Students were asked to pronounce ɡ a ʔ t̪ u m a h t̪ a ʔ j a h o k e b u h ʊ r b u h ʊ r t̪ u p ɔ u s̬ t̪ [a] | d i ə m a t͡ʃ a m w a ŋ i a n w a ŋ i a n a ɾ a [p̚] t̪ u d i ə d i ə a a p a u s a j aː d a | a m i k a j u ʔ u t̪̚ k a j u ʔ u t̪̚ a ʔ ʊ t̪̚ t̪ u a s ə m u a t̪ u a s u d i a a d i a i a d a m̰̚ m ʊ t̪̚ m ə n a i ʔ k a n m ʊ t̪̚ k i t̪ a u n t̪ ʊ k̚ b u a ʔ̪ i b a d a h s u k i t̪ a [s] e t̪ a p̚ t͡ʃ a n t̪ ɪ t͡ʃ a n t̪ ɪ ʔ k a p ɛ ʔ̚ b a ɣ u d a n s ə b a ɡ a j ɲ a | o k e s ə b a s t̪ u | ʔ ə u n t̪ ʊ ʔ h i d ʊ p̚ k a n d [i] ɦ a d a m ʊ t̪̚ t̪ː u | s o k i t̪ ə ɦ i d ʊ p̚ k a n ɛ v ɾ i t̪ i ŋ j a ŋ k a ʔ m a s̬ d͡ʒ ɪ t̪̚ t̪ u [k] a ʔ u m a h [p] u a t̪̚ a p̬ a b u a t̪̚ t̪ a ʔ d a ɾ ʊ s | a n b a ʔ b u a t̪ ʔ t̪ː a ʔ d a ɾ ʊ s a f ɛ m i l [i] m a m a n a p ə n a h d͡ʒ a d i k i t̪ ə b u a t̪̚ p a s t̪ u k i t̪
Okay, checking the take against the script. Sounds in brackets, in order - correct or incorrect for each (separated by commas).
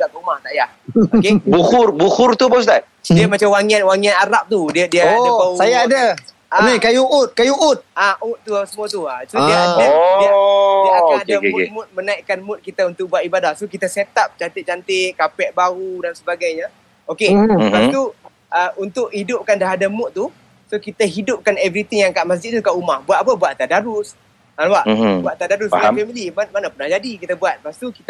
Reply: correct, correct, correct, incorrect, correct, incorrect, correct